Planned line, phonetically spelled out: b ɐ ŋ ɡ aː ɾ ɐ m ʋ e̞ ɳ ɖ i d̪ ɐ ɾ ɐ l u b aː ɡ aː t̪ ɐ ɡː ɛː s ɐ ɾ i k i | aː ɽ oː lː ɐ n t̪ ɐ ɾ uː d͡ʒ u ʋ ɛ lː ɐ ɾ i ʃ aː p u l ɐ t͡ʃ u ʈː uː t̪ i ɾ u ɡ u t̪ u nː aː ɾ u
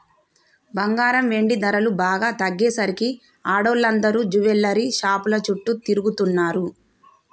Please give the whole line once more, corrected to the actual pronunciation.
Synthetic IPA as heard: b ɐ ŋ ɡ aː ɾ ɐ m ʋ e̞ ɳ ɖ i d̪ ɐ ɾ ɐ l u b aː ɡ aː t̪ ɐ ɡː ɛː s ɐ ɾ i k i | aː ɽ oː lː ɐ n d̪ ɐ ɾ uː d͡ʒ u ʋ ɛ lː ɐ ɾ i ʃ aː p u l ɐ t͡ʃ u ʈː u t̪ i ɾ u ɡ u t̪ u nː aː ɾ u

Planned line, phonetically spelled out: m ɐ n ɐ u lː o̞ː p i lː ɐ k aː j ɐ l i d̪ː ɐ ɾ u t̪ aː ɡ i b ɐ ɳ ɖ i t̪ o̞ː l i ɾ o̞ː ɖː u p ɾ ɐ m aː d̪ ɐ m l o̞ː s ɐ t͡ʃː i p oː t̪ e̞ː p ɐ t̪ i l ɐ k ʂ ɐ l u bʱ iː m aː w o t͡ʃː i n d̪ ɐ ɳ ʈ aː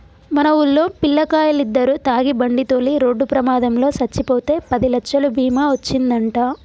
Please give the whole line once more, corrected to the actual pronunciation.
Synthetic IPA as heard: m ɐ n ɐ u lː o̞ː p i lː ɐ k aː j ɐ l i d̪ː ɐ ɾ u t̪ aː ɡ i b ɐ ɳ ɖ i t̪ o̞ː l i ɾ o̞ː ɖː u p ɾ ɐ m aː d̪ ɐ m l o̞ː s ɐ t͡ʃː i p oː t̪ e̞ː p ɐ d̪ i l ɐ k ʂ ɐ l u bʱ iː m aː ʋ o t͡ʃː i n d̪ ɐ ɳ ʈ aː

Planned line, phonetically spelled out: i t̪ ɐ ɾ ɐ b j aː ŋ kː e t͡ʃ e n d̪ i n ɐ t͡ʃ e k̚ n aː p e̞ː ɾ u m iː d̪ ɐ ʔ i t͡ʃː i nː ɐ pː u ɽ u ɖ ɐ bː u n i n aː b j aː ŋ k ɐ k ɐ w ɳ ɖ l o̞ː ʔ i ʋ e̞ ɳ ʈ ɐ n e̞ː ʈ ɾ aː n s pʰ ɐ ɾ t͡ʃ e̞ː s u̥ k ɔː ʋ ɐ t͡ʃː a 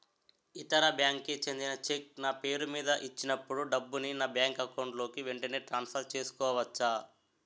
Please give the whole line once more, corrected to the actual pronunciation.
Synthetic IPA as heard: i t̪ ɐ ɾ ɐ b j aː ŋ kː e t͡ʃ e n d̪ i n ɐ t͡ʃ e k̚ n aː p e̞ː ɾ u m iː d̪ ɐ ʔ i t͡ʃː i n ɐ pː u ɽ u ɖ ɐ bː u n i n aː b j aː ŋ k ɐ k ɐ w ɳ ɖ l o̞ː k i ʋ e̞ ɳ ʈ ɐ n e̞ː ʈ ɾ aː n s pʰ ɐ ɾ t͡ʃ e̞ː s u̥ k ɔː ʋ ɐ t͡ʃː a

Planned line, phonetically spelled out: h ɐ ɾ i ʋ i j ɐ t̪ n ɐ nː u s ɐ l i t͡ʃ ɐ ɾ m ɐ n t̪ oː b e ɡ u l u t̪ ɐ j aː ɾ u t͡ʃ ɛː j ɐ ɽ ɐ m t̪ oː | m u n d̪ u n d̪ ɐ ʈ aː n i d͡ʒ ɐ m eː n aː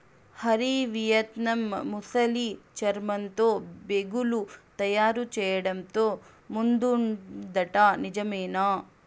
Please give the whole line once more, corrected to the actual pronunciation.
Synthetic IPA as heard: h ɐ ɾ i ʋ i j ɐ t̪ n ɐ mː u s ɐ l i t͡ʃ ɐ ɾ m ɐ n t̪ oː b e ɡ u l u t̪ ɐ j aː ɾ u t͡ʃ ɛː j ɐ ɽ ɐ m t̪ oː | m u n d̪ u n d̪ ɐ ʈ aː n i d͡ʒ ɐ m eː n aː

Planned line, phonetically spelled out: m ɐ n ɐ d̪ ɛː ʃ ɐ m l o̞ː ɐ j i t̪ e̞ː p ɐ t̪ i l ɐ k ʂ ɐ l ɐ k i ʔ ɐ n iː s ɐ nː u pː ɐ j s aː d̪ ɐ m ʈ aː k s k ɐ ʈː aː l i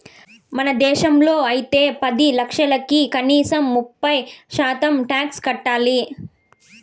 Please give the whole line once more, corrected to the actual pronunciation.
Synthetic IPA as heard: m ɐ n ɐ d̪ ɛː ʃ ɐ m l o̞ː ɐ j i t̪ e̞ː p ɐ d̪ i l ɐ k ʂ ɐ l ɐ k i k ɐ n iː s ɐ mː u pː ɐ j ʃ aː t̪ ɐ m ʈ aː k s k ɐ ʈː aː l i

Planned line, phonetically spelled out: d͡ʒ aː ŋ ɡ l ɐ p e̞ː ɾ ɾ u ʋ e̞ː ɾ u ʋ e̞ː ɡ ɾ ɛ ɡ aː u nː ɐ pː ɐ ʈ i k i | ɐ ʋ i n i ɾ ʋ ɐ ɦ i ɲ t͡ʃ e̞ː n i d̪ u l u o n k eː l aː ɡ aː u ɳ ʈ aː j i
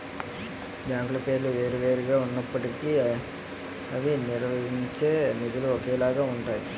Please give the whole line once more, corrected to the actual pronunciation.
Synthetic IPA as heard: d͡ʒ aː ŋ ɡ l ɐ p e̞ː ɾ l u ʋ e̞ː ɾ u ʋ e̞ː ɾ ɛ ɡ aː u nː ɐ pː ɐ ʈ i k i | ɐ ʋ i n i ɾ ʋ ɐ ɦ i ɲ t͡ʃ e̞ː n i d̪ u l u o k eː l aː ɡ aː u ɳ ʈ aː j i

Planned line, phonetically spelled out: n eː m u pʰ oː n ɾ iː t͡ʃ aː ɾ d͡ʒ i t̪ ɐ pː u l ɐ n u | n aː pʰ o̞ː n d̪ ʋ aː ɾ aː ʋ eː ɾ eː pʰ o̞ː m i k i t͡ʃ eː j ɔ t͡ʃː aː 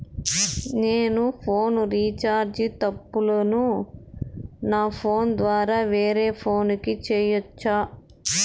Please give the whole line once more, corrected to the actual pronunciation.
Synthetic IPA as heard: n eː n u pʰ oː n ɾ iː t͡ʃ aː ɾ d͡ʒ i t̪ ɐ pː u l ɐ n u | n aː pʰ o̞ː n d̪ ʋ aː ɾ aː ʋ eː ɾ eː pʰ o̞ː n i k i t͡ʃ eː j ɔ t͡ʃː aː

